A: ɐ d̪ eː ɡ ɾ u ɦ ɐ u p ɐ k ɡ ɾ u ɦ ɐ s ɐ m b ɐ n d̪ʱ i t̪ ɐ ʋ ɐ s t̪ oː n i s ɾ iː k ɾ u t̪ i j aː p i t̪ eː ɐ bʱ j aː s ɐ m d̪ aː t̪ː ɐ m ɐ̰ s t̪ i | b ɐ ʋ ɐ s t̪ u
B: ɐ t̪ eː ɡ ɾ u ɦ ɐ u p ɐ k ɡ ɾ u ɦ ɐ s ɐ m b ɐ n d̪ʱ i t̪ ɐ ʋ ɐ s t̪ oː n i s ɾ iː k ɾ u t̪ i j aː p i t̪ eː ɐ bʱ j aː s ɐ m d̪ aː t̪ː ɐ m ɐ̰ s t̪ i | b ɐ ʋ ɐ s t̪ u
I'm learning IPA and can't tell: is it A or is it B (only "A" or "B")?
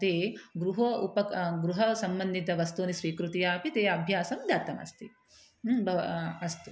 B